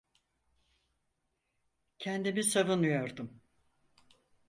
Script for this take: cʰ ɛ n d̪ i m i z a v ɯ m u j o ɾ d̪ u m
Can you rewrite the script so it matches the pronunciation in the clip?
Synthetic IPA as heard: cʰ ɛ n d̪ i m i s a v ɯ n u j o ɾ d̪ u m